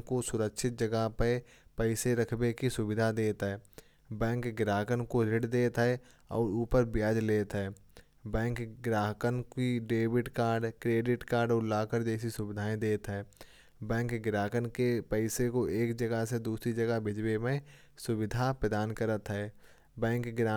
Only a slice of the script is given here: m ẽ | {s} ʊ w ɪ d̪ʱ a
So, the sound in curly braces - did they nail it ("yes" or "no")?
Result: yes